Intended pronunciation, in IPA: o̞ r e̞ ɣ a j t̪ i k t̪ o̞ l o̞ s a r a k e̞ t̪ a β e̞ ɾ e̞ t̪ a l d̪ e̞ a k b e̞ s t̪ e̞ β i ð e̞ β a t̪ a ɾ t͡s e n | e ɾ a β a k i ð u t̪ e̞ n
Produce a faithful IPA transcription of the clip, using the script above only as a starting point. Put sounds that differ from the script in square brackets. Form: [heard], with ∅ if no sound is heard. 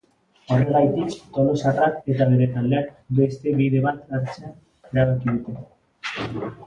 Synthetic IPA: o̞ r e̞ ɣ a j t̪ i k t̪ o̞ l o̞ s a r a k e̞ t̪ a β e̞ ɾ e̞ t̪ a l d̪ e̞ a k b e̞ s t̪ e̞ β i ð e̞ β a t̪ a ɾ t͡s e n | e ɾ a β a k i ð u t̪ e̞ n